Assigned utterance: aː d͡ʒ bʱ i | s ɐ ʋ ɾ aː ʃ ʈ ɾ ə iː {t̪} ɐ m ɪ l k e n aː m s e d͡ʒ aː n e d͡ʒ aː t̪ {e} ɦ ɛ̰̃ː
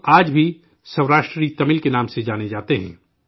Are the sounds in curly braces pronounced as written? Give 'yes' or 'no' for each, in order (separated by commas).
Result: yes, yes